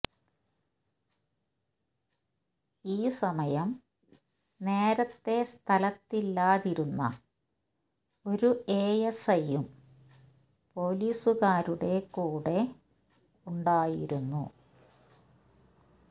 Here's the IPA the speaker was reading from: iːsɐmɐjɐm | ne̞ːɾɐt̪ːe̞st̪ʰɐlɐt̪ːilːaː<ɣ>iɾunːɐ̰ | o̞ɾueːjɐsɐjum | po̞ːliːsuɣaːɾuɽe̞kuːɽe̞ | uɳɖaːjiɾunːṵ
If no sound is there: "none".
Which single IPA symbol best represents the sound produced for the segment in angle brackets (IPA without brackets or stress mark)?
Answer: ð